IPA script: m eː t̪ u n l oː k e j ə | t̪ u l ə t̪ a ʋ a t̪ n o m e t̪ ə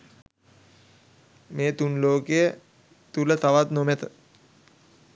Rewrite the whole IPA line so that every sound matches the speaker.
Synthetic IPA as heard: m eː t̪ u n l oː k e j ə | t̪ u l ə t̪ a ʋ a t̪ n o m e t̪ ə